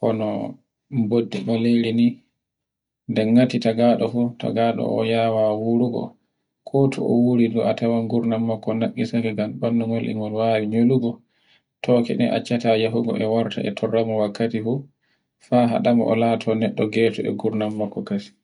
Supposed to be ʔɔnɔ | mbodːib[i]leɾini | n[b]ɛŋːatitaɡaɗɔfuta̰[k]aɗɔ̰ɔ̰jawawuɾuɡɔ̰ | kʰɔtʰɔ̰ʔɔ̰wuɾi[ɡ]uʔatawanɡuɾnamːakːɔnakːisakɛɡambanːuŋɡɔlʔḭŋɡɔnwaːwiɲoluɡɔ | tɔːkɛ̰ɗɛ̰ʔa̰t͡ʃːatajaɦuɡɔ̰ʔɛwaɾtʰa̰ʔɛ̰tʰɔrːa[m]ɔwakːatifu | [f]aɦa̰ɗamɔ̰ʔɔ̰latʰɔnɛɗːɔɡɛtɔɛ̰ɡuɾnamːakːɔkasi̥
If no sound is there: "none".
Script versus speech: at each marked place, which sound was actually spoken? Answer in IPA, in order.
a, d, ɡ, d, m, f

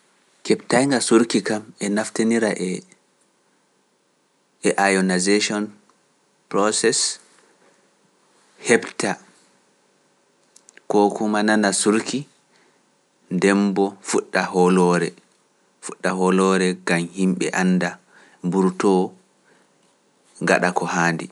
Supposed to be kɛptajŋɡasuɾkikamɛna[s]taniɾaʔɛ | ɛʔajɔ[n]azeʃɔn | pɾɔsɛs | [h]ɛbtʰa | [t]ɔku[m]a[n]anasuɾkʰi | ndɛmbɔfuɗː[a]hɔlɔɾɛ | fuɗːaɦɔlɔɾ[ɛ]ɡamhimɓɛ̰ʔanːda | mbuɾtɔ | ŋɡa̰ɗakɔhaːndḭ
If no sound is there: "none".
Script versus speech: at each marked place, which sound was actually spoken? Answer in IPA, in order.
f, n, h, k, m, n, a, ɛ

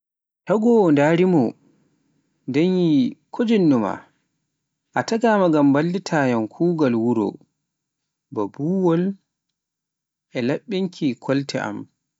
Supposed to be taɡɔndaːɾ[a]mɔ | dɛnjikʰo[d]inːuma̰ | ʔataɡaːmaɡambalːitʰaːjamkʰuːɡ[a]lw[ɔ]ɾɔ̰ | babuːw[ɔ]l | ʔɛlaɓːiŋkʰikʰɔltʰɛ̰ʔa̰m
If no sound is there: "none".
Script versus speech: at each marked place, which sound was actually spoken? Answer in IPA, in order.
i, d͡ʒ, a, u, ɔ

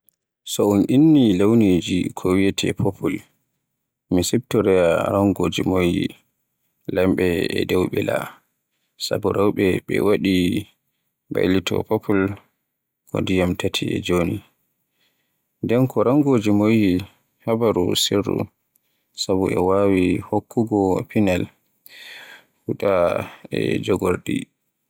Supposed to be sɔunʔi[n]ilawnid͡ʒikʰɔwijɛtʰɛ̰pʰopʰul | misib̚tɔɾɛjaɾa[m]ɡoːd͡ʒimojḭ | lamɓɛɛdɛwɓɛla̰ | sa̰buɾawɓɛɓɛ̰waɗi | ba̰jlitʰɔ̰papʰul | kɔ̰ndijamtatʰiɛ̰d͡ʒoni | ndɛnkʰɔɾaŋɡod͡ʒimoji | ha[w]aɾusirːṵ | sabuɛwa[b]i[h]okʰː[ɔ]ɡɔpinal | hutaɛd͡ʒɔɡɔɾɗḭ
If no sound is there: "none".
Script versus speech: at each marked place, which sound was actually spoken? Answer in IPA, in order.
nː, ŋ, b, w, h, u

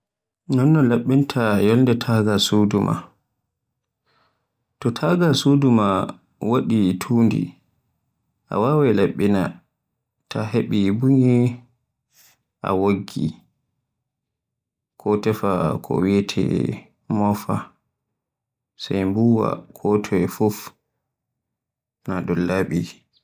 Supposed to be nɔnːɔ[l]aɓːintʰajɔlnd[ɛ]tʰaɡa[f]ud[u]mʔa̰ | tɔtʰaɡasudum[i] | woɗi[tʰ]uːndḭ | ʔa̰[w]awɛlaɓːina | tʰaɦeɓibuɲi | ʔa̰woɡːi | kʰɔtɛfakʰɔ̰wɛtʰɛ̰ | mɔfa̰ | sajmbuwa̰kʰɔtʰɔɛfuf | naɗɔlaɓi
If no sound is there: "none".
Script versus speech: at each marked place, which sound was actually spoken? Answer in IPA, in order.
l, ɛ, s, u, a, tʰ, w

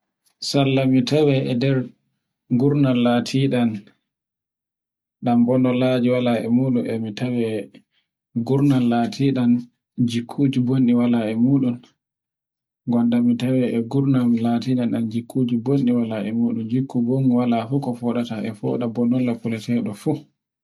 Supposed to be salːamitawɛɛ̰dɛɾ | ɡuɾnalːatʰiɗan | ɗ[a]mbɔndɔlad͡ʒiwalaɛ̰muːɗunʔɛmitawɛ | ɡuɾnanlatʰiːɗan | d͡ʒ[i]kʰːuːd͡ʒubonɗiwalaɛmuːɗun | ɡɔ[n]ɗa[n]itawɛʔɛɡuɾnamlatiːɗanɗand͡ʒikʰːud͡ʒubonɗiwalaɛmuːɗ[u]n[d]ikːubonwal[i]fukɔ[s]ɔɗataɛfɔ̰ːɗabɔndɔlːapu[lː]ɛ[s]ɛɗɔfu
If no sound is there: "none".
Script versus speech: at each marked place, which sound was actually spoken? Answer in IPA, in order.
a, i, n, m, u, d͡ʒ, a, f, l, t

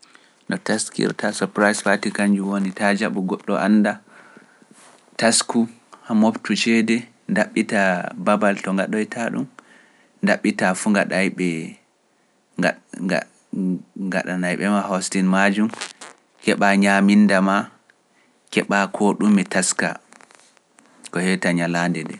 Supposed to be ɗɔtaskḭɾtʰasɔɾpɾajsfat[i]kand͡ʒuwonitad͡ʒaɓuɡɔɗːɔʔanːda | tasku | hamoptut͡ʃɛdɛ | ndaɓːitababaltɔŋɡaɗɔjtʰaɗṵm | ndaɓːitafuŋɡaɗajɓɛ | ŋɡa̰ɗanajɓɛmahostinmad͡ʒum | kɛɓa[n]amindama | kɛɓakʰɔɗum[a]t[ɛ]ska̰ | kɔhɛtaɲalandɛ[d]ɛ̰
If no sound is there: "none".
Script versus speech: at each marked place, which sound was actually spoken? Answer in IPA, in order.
i, ɲ, ɛ, a, d

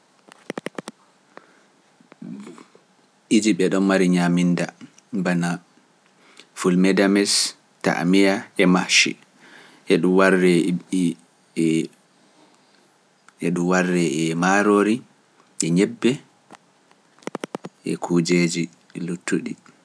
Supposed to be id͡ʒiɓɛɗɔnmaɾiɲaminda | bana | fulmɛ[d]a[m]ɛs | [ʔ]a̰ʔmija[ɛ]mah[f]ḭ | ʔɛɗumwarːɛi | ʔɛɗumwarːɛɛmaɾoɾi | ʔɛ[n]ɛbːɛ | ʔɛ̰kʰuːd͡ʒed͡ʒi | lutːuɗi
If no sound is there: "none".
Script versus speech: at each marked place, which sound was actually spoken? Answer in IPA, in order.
d, m, t, ɛ, ʃ, ɲ

